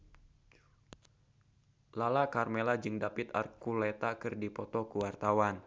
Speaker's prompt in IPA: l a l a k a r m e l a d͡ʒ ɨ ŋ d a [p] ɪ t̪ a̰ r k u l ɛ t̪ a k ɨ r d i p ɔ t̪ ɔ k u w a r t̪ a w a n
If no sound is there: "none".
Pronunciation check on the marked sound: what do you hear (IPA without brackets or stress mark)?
p